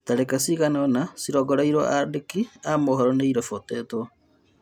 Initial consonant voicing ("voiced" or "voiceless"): voiceless